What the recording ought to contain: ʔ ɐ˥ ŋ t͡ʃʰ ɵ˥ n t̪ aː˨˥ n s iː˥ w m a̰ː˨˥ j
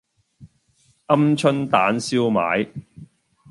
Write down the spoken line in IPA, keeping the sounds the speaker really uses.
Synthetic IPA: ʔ ɐ˥ m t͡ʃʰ ɵ˥ n t̪ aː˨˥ n s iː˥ w m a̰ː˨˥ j